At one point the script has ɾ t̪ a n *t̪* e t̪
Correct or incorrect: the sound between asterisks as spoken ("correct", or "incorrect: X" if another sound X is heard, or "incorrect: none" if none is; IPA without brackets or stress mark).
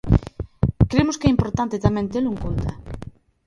correct